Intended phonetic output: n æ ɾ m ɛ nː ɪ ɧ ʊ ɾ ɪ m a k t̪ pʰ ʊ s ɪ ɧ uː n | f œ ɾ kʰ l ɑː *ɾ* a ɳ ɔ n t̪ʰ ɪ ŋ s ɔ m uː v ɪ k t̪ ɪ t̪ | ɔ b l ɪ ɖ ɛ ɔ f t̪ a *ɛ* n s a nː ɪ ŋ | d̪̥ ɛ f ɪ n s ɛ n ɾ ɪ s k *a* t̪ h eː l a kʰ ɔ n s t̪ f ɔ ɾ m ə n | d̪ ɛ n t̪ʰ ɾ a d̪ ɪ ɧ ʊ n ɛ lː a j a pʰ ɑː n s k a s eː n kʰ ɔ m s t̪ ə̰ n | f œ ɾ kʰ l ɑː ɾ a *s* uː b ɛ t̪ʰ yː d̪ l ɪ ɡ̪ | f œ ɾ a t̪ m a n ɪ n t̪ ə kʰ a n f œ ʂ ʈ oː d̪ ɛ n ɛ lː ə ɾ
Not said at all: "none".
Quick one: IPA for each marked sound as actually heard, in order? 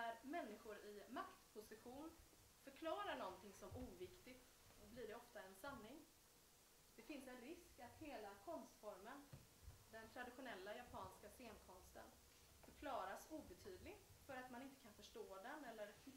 ɾ, ɛ, a, s

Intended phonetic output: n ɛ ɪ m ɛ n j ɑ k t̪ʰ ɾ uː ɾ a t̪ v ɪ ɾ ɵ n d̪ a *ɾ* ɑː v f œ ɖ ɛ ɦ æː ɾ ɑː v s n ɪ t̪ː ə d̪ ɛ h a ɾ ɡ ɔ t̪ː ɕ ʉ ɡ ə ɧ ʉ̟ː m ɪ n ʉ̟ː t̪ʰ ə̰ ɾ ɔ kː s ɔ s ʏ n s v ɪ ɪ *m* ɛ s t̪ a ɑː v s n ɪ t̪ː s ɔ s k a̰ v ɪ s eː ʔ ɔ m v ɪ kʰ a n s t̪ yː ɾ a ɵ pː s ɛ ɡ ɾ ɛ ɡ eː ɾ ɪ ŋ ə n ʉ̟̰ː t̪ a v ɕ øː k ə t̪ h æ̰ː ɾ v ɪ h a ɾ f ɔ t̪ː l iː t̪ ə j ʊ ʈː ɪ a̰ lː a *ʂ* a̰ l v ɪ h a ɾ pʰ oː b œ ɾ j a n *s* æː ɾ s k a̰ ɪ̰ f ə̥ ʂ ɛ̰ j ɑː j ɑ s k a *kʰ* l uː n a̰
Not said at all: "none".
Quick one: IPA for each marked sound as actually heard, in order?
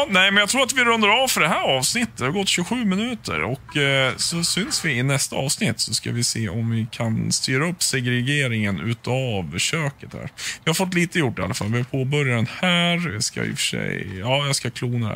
ɾ, n, f, h, kʰ

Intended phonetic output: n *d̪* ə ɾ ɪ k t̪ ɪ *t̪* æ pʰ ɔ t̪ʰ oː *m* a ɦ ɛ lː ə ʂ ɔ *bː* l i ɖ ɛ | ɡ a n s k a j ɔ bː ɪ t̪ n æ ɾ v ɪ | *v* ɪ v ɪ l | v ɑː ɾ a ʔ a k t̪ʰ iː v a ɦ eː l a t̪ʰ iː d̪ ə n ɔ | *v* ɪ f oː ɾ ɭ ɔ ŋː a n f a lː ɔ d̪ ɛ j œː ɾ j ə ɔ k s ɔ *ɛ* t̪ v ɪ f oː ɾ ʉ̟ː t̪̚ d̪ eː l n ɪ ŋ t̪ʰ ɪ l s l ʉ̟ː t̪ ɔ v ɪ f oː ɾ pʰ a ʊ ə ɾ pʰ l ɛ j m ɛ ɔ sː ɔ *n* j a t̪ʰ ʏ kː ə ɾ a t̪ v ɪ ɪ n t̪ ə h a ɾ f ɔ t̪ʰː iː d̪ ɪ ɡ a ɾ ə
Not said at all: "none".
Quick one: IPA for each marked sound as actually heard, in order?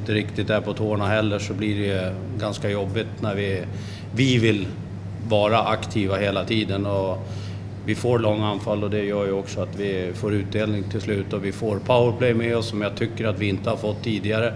t̪, t̪, ɳ, b, v, v, a, m

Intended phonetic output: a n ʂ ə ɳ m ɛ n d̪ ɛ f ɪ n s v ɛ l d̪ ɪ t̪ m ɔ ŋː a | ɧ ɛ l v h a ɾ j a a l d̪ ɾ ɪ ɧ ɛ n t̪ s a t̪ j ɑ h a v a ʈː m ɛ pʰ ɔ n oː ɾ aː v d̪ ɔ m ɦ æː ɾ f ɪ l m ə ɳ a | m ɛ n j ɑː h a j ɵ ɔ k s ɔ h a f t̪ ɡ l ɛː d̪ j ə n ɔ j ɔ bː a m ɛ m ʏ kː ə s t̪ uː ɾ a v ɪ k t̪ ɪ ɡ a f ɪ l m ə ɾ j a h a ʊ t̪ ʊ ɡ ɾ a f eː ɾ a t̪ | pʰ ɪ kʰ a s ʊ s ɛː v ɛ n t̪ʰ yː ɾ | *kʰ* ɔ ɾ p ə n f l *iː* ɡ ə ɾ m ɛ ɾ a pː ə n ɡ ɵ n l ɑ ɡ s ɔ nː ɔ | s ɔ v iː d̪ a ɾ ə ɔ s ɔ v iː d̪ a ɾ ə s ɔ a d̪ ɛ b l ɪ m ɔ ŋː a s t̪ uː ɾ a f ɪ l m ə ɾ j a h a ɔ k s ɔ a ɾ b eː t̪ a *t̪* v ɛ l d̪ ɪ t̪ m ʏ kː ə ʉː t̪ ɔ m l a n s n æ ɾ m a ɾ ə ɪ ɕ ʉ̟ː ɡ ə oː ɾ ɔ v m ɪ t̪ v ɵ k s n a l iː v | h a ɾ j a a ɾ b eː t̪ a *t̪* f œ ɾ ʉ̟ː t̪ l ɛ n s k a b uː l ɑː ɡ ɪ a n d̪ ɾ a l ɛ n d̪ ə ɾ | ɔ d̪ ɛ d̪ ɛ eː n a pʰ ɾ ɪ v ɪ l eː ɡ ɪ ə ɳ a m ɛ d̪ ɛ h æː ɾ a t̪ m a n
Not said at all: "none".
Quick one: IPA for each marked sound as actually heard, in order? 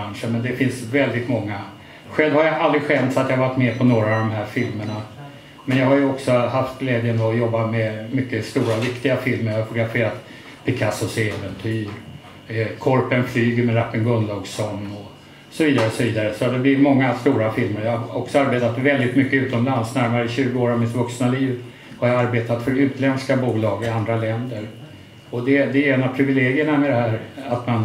kʰ, yː, t̪, t̪

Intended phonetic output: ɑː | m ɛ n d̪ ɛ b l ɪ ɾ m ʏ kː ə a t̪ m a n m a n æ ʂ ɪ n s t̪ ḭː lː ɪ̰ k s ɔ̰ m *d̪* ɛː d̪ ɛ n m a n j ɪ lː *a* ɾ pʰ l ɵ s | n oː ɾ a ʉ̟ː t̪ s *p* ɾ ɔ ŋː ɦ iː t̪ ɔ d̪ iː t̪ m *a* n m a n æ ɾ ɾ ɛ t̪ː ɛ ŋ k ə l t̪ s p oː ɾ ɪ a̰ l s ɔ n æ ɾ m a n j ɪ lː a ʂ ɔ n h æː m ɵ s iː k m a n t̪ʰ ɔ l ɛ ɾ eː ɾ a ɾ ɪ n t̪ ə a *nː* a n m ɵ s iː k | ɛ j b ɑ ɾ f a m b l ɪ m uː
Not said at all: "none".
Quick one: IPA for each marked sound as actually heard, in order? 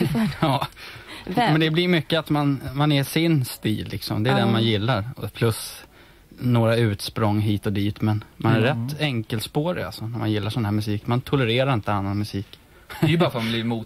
d̪, a, p, ɛ, nː

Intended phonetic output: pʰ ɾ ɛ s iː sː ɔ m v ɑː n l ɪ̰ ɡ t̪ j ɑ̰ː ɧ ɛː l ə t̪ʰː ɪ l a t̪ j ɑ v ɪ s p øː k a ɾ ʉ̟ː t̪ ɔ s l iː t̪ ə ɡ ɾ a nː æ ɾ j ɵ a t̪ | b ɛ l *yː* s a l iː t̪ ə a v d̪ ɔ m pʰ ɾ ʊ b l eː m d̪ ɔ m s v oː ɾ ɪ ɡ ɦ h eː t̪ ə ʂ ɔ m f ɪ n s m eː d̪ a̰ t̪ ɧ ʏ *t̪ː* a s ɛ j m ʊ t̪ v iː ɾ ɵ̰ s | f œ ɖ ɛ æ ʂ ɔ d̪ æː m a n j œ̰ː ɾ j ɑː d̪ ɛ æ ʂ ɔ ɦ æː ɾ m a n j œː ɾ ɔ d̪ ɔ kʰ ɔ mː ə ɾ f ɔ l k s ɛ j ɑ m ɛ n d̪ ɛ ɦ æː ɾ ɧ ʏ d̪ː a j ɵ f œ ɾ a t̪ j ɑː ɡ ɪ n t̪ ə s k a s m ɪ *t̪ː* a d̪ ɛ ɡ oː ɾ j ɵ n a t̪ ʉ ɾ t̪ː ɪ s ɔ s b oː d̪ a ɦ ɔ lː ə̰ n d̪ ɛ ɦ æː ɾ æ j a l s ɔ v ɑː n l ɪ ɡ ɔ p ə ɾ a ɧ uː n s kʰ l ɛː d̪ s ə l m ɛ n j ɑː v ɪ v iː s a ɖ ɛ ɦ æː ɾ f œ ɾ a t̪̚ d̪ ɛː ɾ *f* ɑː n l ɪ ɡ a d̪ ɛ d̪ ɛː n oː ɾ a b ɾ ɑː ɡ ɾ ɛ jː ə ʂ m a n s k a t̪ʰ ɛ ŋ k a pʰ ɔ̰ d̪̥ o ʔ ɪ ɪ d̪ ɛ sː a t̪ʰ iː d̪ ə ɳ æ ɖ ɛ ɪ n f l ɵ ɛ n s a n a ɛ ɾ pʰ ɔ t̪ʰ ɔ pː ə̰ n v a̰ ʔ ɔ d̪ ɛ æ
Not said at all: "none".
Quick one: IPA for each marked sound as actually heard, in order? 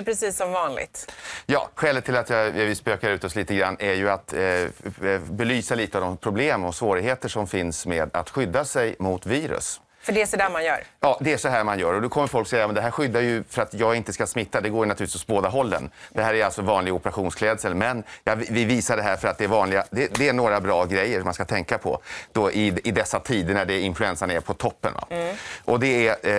yː, d̪ː, t̪ː, v

